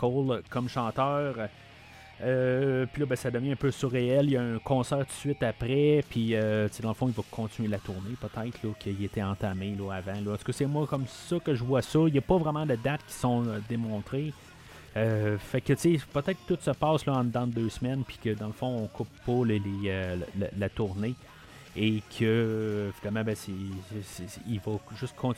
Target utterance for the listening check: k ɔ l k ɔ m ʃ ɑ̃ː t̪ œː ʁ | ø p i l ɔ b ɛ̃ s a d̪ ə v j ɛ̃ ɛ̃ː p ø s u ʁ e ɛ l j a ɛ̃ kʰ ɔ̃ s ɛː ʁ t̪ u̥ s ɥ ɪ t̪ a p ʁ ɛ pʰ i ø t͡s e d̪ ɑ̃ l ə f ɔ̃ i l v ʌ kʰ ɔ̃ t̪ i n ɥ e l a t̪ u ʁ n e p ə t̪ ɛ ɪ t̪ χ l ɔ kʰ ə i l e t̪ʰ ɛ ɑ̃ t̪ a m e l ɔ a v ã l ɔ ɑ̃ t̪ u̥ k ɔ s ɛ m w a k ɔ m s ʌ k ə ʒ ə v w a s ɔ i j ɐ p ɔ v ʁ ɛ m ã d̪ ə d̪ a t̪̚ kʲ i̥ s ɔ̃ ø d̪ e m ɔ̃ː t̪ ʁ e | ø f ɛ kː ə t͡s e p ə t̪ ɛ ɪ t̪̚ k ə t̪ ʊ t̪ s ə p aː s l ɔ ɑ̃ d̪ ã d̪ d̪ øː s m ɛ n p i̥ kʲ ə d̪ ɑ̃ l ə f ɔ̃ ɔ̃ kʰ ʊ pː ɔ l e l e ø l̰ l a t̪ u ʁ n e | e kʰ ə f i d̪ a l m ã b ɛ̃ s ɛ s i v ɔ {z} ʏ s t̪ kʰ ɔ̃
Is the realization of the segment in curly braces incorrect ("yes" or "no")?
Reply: yes